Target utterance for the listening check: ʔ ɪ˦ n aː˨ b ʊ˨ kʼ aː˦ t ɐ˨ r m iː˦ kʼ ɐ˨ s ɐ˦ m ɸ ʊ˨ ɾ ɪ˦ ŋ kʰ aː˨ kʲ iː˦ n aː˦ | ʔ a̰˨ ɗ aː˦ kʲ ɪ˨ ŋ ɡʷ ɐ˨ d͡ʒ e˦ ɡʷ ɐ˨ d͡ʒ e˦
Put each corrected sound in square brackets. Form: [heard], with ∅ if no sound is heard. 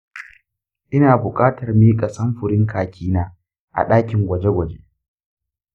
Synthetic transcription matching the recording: ʔ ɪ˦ n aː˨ b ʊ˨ kʼ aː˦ t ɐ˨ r m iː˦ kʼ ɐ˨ s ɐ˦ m ɸ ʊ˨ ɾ ɪ˦ ŋ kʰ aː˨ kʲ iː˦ n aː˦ | ʔ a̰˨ ɗ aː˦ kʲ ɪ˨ ŋ ɡʷ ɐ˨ d͡ʒ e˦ ɡʷ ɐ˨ d͡ʒ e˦